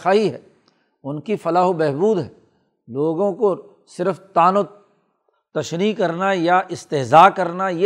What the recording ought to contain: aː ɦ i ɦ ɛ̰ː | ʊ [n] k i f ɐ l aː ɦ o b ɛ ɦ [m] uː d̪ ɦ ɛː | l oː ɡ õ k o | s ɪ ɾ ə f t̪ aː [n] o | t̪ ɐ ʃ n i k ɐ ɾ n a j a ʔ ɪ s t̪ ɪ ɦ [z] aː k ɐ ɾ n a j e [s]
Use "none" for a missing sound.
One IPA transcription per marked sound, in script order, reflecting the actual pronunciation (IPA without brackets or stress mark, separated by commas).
n, b, n, z, none